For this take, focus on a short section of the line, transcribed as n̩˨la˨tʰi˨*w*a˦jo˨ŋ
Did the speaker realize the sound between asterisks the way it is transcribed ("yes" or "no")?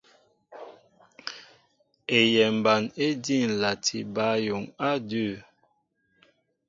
no